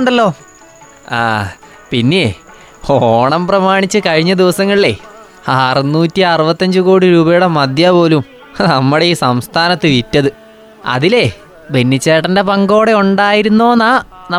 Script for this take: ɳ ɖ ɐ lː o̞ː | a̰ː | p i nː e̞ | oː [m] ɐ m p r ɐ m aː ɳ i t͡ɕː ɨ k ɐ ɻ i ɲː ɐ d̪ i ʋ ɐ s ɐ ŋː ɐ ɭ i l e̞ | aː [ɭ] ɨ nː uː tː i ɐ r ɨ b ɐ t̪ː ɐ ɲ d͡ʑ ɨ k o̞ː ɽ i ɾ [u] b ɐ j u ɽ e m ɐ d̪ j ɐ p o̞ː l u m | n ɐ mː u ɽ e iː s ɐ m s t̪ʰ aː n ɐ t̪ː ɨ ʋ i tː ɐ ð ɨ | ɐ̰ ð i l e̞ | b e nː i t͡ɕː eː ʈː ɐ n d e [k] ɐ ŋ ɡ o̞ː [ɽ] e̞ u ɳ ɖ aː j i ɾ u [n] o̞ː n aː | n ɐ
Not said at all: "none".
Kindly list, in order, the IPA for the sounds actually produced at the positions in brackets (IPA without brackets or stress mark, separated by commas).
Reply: ɳ, r, uː, p, ɽ, nː